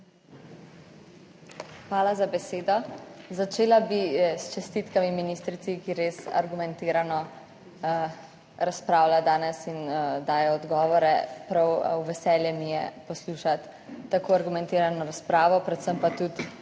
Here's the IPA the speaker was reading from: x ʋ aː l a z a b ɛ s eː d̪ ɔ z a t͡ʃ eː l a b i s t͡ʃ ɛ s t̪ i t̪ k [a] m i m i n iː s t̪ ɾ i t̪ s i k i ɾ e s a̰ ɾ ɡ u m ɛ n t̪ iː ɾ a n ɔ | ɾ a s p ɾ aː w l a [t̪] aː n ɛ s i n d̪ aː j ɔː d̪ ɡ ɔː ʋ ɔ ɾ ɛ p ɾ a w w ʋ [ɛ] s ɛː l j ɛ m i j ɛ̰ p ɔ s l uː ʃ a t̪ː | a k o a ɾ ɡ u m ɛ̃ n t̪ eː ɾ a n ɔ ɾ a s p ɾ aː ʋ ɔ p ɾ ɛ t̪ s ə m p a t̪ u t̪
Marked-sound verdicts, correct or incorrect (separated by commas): correct, incorrect, correct